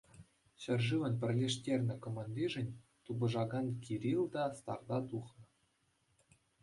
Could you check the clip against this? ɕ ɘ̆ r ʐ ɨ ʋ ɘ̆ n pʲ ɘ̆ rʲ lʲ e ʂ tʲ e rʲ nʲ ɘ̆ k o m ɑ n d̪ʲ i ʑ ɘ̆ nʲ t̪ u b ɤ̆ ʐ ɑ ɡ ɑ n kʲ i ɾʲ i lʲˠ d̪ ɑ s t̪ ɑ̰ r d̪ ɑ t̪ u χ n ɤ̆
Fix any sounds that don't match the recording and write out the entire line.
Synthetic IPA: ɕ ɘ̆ r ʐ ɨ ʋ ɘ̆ n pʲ ɘ̆ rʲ lʲ e ʂ tʲ e rʲ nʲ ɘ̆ k o m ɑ n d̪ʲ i ʐ ɘ̆ nʲ t̪ u b ɤ̆ ʐ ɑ ɡ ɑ n kʲ i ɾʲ i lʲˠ d̪ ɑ s t̪ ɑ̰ r d̪ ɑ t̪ u χ n ɤ̆